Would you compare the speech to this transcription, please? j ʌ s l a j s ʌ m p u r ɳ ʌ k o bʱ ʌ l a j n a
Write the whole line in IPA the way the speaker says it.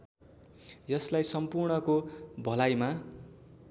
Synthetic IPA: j ʌ s l a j s ʌ m p u r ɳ ʌ k o bʱ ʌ l a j m a